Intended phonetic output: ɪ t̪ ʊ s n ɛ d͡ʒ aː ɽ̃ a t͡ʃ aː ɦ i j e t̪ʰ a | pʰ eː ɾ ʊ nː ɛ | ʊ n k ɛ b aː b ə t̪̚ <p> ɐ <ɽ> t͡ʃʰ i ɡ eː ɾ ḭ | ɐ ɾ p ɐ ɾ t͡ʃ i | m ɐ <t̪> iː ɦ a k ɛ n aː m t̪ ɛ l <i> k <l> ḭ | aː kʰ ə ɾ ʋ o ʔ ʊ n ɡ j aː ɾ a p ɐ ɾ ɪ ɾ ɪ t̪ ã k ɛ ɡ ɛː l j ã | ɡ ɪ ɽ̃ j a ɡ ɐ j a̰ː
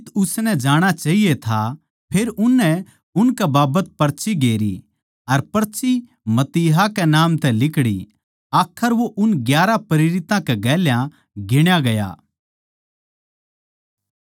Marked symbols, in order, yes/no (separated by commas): yes, no, yes, no, no